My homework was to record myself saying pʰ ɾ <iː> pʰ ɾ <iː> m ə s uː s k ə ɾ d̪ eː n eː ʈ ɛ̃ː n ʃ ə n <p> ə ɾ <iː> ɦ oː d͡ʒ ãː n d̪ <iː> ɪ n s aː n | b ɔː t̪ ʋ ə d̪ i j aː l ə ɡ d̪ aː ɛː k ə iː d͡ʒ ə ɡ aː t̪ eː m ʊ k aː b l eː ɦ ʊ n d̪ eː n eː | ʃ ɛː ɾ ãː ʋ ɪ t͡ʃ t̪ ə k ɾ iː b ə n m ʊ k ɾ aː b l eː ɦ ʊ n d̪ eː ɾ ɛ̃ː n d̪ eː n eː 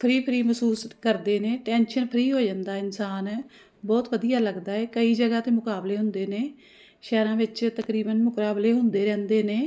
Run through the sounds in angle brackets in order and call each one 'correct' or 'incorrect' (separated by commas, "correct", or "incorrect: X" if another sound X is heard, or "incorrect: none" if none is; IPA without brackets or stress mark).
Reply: correct, correct, incorrect: pʰ, correct, incorrect: aː